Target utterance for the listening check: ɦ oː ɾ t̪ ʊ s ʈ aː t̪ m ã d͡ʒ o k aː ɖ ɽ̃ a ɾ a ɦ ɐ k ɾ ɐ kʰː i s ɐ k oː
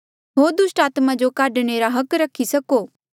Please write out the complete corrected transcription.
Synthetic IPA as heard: ɦ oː ɾ d̪ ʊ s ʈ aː t̪ m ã d͡ʒ o k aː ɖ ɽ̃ e ɾ a ɦ ɐ k ɾ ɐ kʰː i s ɐ k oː